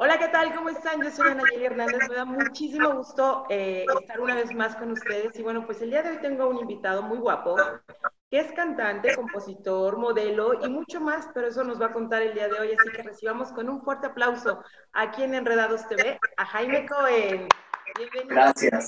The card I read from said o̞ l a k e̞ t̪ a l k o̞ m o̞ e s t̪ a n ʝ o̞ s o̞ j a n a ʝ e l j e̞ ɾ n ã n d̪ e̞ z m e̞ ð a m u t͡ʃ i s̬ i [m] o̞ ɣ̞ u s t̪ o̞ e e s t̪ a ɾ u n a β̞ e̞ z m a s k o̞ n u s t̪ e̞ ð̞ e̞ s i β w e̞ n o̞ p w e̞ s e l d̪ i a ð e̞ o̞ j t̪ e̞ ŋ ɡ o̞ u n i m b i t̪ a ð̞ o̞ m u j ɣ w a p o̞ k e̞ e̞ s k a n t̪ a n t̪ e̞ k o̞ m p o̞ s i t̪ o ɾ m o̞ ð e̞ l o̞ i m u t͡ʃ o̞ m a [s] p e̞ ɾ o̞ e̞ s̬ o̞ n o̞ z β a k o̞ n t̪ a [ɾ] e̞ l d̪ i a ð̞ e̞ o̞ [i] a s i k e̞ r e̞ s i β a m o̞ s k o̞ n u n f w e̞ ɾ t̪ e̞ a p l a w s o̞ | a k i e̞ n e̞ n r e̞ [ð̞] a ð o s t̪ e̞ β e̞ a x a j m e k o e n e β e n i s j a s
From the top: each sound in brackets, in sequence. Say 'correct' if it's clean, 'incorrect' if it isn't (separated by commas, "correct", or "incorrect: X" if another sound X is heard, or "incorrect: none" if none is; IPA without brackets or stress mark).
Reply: correct, correct, correct, incorrect: j, correct